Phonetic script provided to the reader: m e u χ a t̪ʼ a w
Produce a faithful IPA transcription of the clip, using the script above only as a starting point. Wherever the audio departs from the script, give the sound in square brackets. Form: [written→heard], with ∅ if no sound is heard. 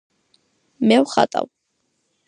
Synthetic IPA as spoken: m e [u→w] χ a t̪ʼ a w